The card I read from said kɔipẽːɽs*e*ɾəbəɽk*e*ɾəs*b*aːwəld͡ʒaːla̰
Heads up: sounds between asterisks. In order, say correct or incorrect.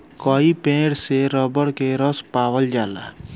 correct, correct, incorrect: p

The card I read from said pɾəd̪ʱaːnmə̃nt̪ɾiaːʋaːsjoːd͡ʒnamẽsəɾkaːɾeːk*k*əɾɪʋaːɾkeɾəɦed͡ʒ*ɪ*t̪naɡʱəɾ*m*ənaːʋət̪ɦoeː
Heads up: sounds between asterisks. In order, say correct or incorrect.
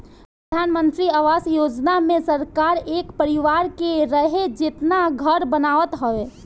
incorrect: p, correct, incorrect: b

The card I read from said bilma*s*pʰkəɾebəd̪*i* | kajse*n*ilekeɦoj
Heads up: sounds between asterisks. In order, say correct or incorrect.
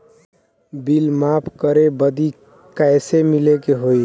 incorrect: none, correct, incorrect: m

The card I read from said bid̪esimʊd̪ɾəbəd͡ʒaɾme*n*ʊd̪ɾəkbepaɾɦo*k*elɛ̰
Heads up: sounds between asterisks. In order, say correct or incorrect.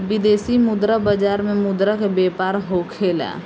incorrect: m, incorrect: kʰ

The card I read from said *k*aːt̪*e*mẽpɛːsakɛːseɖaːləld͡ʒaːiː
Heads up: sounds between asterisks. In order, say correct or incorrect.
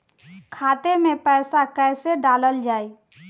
incorrect: kʰ, correct

